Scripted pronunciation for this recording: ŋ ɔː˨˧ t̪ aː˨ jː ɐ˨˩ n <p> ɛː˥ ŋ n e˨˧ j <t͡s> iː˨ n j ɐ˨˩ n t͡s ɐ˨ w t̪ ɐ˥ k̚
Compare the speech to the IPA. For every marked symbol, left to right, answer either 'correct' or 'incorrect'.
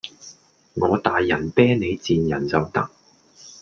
correct, correct

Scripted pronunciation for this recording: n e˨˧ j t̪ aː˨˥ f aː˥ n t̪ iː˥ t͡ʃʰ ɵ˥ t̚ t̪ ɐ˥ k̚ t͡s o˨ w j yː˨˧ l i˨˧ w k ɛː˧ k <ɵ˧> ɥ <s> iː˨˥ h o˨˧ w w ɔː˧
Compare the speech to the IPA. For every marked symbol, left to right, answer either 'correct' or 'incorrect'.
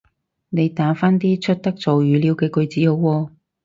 correct, incorrect

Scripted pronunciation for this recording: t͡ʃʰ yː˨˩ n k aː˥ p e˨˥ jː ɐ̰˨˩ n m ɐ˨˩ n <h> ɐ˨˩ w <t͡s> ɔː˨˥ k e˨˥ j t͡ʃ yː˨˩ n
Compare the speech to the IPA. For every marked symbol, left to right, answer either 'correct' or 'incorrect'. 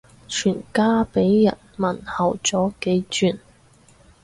correct, correct

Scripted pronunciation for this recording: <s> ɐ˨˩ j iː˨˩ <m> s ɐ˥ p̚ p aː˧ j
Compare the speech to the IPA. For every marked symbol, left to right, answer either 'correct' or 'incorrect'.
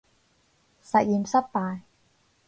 correct, correct

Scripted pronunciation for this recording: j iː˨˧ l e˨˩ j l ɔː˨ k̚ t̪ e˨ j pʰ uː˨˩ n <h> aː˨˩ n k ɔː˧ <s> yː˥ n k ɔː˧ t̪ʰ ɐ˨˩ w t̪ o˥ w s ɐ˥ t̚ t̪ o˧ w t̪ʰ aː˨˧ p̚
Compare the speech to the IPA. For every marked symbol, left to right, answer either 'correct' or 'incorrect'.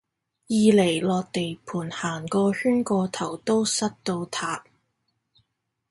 correct, incorrect

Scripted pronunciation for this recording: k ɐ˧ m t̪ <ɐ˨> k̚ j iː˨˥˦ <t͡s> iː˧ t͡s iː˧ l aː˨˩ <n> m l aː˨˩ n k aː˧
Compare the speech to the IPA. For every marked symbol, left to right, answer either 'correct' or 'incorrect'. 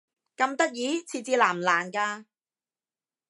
incorrect, incorrect, incorrect

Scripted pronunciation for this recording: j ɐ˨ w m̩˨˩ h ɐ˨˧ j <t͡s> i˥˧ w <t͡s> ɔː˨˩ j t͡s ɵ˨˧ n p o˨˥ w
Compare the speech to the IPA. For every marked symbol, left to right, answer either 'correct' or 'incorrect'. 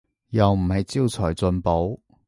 correct, incorrect

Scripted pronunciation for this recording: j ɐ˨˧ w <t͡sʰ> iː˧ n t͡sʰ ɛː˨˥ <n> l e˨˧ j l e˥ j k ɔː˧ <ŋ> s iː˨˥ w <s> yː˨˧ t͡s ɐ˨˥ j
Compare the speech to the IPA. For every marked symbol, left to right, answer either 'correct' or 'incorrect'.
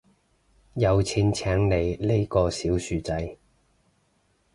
correct, incorrect, incorrect, correct

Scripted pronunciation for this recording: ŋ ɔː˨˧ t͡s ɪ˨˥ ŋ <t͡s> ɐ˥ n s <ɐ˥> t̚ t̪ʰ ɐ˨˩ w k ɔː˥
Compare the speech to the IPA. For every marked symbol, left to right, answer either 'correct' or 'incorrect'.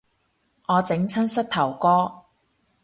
incorrect, correct

